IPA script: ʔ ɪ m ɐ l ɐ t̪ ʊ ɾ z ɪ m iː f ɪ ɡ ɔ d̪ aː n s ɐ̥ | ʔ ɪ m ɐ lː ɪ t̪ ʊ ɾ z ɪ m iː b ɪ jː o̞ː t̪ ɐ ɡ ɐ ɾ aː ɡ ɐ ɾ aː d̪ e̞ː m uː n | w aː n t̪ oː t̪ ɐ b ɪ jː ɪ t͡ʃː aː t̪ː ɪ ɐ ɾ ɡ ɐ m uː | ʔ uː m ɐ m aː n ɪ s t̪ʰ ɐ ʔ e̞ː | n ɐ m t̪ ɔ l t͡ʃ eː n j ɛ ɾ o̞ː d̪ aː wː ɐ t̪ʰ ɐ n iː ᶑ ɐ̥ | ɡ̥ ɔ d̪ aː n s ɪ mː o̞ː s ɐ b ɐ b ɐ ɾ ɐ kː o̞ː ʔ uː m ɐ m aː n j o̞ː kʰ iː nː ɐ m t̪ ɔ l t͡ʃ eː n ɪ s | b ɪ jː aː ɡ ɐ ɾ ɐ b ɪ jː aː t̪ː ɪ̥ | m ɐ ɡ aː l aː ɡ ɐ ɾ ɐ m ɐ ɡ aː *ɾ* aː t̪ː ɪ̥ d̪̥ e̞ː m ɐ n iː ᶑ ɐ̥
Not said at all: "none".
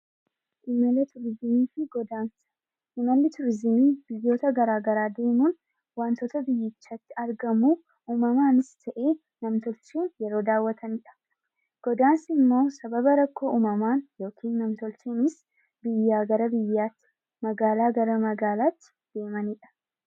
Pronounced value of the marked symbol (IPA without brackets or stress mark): l